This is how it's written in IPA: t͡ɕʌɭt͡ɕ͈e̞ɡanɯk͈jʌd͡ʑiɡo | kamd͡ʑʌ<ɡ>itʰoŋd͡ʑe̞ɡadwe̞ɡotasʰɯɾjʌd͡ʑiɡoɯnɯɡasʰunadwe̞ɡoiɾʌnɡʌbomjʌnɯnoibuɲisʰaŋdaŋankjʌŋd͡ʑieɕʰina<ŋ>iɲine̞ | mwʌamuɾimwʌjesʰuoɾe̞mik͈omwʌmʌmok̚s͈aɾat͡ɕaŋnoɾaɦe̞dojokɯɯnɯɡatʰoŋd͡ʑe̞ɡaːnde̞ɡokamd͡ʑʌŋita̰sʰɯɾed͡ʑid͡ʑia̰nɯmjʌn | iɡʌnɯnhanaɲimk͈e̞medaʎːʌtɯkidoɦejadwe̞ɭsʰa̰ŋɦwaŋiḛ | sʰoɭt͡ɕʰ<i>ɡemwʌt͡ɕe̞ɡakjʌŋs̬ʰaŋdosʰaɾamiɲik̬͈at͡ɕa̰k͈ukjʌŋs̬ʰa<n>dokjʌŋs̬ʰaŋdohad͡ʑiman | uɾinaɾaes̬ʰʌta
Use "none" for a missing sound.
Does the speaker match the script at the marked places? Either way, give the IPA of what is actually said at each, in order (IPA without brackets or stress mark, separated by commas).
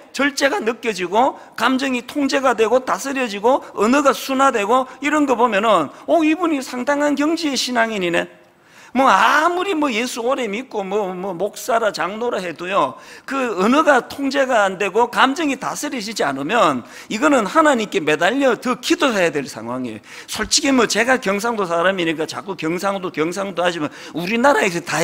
ŋ, ŋ, i, ŋ